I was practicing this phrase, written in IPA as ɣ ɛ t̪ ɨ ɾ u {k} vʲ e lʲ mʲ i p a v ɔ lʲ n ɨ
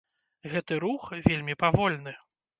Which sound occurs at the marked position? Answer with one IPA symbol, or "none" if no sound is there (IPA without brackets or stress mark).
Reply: x